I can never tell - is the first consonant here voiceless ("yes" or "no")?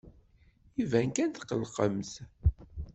no